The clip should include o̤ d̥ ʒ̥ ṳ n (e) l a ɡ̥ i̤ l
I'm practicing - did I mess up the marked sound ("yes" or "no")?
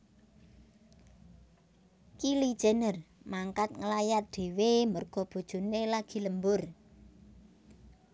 no